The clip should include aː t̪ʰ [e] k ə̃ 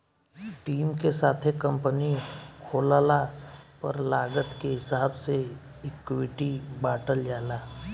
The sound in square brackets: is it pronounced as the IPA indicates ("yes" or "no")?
yes